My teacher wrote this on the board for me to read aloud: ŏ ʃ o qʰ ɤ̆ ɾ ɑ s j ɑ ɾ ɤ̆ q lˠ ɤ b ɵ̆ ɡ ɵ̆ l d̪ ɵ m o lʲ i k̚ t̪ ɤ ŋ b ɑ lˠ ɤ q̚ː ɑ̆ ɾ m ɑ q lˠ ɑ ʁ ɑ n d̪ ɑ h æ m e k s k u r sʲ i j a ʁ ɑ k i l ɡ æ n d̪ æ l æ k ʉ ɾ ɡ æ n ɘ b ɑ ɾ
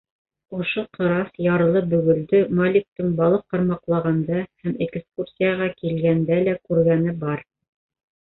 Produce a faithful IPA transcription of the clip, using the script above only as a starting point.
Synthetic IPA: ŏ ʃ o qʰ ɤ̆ ɾ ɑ s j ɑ ɾ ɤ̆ lˠ ɤ b ɵ̆ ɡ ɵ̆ l d̪ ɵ m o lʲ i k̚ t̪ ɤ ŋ b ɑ lˠ ɤ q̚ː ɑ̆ ɾ m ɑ q lˠ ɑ ʁ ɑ n d̪ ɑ h æ m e k s k u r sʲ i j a ʁ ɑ k i l ɡ æ n d̪ æ l æ k ʉ ɾ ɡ æ n ɘ b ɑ ɾ